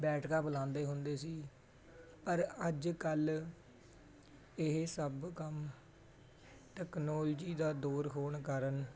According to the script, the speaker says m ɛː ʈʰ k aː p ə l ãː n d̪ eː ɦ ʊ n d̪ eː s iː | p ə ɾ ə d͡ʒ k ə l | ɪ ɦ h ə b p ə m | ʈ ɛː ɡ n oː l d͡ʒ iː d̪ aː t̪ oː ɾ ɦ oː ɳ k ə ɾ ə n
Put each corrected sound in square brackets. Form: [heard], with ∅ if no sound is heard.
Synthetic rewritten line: [b] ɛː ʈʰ k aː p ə l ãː n d̪ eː ɦ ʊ n d̪ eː s iː | p ə ɾ ə d͡ʒ k ə l | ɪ ɦ [s] ə b [k] ə m | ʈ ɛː [k] n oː l d͡ʒ iː d̪ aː [d̪] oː ɾ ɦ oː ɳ k ə ɾ ə n

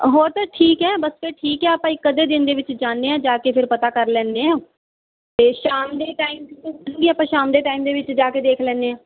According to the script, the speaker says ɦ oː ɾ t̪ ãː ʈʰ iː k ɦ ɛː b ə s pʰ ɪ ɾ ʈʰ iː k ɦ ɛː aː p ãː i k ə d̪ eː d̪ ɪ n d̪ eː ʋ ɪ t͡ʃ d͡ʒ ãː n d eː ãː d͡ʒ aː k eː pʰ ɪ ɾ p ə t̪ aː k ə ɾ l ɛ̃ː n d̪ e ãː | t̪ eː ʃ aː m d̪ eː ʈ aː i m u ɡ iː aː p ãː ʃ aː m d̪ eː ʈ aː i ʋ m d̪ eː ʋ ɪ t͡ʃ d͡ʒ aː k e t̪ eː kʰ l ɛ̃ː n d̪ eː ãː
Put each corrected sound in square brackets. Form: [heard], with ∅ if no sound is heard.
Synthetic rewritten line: ɦ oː ɾ t̪ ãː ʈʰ iː k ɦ ɛː b ə s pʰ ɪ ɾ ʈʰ iː k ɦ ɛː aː p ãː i k ə d̪ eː d̪ ɪ n d̪ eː ʋ ɪ t͡ʃ d͡ʒ [aː] n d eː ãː d͡ʒ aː k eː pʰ ɪ ɾ p ə t̪ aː k ə ɾ l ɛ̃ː n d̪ e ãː | t̪ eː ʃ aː m d̪ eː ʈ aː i m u ɡ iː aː p ãː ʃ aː m d̪ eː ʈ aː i [∅] m d̪ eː ʋ ɪ t͡ʃ d͡ʒ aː k e [d̪] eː kʰ l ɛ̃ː n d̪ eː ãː

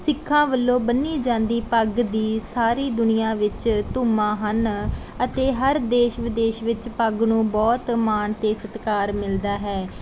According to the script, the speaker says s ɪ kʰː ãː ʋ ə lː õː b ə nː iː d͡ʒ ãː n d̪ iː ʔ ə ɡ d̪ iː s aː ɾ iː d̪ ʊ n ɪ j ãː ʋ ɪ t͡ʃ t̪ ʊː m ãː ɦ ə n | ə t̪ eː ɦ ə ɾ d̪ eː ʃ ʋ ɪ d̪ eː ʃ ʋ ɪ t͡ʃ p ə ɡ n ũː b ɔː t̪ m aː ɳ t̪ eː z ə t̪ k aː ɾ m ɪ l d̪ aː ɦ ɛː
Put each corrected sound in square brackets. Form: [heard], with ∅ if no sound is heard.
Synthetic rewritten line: s ɪ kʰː ãː ʋ ə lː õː b ə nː iː d͡ʒ ãː n d̪ iː [p] ə ɡ d̪ iː s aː ɾ iː d̪ ʊ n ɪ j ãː ʋ ɪ t͡ʃ t̪ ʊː m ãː ɦ ə n | ə t̪ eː ɦ ə ɾ d̪ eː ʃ ʋ ɪ d̪ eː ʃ ʋ ɪ t͡ʃ p ə ɡ n ũː b ɔː t̪ m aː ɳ t̪ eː [s] ə t̪ k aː ɾ m ɪ l d̪ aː ɦ ɛː

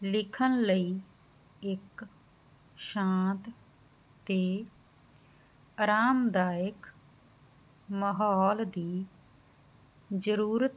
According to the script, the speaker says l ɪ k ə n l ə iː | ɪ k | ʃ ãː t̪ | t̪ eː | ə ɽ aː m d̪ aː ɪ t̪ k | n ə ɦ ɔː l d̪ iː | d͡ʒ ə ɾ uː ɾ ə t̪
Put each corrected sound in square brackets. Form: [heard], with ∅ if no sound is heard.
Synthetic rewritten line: l ɪ [kʰ] ə n l ə iː | ɪ k | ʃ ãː t̪ | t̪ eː | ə [ɾ] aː m d̪ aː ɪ [∅] k | [m] ə ɦ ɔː l d̪ iː | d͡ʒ ə ɾ uː ɾ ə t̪

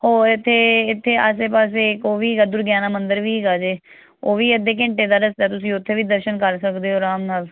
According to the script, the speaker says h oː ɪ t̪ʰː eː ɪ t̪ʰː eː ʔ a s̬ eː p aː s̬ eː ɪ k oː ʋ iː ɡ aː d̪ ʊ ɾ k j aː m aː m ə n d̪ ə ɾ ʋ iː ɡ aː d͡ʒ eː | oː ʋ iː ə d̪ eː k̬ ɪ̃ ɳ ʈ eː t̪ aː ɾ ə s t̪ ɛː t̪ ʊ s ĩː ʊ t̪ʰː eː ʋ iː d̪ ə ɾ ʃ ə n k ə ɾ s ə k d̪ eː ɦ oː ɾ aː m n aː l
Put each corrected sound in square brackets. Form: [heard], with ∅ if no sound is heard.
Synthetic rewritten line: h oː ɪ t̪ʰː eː ɪ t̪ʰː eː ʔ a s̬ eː p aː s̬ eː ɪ k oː ʋ iː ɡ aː d̪ ʊ ɾ [ɡ] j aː [n] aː m ə n d̪ ə ɾ ʋ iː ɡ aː d͡ʒ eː | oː ʋ iː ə d̪ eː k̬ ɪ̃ ɳ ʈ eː [d̪] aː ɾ ə s t̪ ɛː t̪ ʊ s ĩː ʊ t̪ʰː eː ʋ iː d̪ ə ɾ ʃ ə n k ə ɾ s ə k d̪ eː ɦ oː ɾ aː m n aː l

